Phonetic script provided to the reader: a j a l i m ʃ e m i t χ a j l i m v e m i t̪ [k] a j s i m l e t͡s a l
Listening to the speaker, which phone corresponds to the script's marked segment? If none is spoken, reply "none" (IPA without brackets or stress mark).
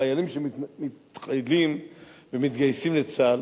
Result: ɡ